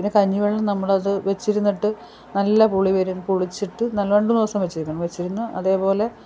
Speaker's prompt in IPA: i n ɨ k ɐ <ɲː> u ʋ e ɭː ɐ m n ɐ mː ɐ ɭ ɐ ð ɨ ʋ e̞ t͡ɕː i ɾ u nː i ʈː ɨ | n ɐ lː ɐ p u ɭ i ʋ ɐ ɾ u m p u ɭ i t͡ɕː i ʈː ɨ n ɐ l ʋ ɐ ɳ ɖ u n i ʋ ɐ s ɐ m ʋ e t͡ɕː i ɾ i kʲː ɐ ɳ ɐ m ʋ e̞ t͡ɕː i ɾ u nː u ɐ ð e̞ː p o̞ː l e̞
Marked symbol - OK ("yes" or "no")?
yes